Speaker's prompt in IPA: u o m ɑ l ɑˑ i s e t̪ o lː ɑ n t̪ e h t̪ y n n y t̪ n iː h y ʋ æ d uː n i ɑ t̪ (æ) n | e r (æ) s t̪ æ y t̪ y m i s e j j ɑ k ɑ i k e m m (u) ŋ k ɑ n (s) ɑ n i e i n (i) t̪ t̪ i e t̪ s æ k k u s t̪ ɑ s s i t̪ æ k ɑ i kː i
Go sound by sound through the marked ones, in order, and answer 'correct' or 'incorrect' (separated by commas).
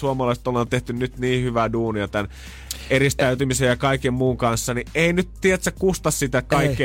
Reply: correct, incorrect, incorrect, incorrect, incorrect